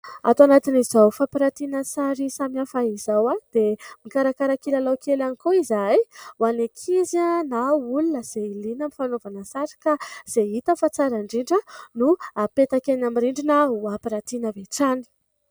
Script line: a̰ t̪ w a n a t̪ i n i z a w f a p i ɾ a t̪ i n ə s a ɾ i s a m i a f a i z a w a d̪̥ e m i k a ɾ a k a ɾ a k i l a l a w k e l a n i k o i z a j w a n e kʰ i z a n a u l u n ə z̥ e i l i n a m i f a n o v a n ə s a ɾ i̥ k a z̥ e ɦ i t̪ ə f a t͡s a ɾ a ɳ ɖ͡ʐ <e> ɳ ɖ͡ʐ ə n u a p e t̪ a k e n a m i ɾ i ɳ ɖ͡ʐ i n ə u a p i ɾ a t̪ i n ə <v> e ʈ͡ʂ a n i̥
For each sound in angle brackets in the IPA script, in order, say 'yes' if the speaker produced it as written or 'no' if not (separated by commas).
no, yes